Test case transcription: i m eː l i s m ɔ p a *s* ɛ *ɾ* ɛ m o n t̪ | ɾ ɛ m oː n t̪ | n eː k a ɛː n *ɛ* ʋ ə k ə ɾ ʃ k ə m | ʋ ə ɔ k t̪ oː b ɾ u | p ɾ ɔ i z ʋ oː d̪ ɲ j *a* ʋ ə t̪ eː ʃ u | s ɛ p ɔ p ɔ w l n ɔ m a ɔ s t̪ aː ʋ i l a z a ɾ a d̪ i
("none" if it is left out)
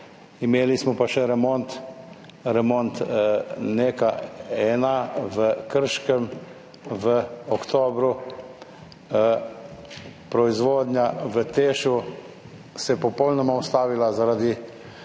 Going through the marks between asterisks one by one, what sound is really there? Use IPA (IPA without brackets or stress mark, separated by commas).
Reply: ʃ, ɾ, a, a